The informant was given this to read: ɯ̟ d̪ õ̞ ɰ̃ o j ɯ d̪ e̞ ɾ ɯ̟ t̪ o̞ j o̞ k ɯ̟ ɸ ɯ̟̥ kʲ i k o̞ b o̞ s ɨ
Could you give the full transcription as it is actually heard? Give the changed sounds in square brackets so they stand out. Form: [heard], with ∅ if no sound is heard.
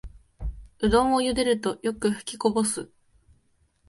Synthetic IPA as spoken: ɯ̟ d̪ õ̞ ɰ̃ o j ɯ d̪ e̞ ɾ ɯ̟ t̪ o̞ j o̞ k ɯ̟ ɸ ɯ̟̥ kʲ i k o̞ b o̞ s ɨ